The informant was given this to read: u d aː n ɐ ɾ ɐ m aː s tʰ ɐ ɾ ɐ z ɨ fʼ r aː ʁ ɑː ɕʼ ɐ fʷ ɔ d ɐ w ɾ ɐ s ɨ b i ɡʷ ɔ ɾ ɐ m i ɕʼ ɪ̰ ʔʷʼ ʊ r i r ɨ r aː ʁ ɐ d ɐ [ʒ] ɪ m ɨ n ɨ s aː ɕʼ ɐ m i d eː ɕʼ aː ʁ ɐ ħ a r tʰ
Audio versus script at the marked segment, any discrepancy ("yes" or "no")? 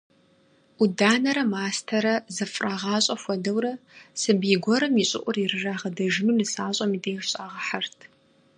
no